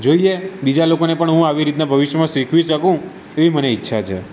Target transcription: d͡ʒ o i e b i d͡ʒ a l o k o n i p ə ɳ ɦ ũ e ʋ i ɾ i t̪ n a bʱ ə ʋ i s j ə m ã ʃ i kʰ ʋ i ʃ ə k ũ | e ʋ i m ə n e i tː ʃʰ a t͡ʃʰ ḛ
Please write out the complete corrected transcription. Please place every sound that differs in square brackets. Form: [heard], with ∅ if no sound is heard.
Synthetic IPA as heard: d͡ʒ o i e b i d͡ʒ a l o k o n [e] p ə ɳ ɦ ũ [a] ʋ i ɾ i t̪ n a bʱ ə ʋ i [ʃ] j ə m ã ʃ i kʰ ʋ i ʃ ə k ũ | e ʋ i m ə n e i tː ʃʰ a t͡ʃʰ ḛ